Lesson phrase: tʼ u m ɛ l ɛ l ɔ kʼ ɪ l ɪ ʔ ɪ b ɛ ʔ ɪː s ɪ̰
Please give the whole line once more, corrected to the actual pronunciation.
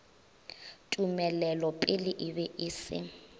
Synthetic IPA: tʼ u m ɛ l ɛ l ɔ pʼ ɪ l ɪ ʔ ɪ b ɛ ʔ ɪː s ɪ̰

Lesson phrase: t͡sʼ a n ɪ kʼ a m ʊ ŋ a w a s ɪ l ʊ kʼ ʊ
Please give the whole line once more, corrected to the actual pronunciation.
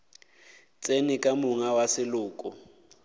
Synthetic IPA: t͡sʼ e n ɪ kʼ a m ʊ ŋ a w a s ɪ l ʊː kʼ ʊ

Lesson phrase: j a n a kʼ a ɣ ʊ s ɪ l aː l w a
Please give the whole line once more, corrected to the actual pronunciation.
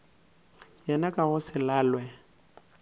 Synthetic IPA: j ɛ n a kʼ a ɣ ʊ s ɪ l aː l w ɛ

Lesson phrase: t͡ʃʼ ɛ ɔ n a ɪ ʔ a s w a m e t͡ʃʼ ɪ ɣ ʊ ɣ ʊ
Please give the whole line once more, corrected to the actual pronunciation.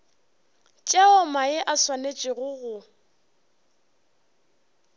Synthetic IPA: t͡ʃʼ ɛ ɔ m a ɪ ʔ a s w a n e t͡ʃʼ ɪ ɣ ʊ ɣ ʊ

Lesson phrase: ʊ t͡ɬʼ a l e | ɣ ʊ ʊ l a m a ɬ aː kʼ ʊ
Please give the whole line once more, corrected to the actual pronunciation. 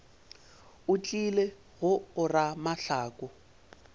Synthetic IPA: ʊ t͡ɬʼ i l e | ɣ ʊ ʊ r a m a ɬ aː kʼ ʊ

